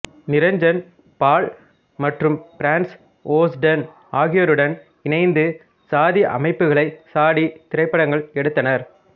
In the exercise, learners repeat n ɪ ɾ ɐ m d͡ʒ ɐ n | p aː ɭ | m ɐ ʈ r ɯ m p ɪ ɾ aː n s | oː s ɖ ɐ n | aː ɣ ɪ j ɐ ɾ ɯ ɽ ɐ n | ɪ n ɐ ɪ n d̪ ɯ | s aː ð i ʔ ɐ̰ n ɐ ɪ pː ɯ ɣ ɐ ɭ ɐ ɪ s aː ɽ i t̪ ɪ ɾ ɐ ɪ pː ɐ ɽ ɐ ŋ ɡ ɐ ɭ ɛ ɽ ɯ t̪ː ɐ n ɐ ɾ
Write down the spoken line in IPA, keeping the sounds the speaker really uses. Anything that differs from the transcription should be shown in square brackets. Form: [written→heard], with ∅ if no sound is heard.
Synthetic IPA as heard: n ɪ ɾ ɐ [m→ɲ] d͡ʒ ɐ n | p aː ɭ | m ɐ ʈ r ɯ m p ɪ ɾ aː n s | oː s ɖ ɐ n | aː ɣ ɪ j ɐ ɾ ɯ ɽ ɐ n | ɪ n ɐ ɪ n d̪ ɯ | s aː ð i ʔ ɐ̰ [n→m] ɐ ɪ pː ɯ ɣ ɐ ɭ ɐ ɪ s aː ɽ i t̪ ɪ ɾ ɐ ɪ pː ɐ ɽ ɐ ŋ ɡ ɐ ɭ ɛ ɽ ɯ t̪ː ɐ n ɐ ɾ